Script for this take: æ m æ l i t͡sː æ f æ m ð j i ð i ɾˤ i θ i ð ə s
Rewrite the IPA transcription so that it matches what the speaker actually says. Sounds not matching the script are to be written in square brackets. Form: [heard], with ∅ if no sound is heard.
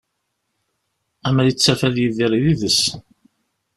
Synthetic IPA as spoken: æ m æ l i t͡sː æ f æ [∅] ð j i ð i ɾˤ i [ð] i ð ə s